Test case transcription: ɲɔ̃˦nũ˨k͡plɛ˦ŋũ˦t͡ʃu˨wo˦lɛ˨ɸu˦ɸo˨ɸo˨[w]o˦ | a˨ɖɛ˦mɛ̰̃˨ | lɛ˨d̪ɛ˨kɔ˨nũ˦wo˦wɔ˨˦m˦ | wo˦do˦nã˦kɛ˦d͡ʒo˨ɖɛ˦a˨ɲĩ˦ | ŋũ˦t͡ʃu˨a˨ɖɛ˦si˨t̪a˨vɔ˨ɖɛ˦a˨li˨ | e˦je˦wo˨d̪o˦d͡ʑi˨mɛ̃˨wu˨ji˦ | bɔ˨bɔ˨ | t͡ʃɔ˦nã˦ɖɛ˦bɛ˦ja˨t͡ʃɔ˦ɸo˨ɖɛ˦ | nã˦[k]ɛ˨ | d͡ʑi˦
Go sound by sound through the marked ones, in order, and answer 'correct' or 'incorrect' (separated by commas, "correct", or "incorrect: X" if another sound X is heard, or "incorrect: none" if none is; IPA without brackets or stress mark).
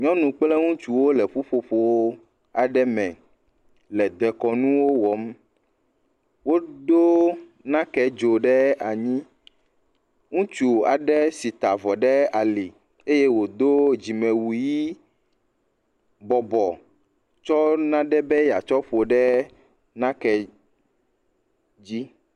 correct, correct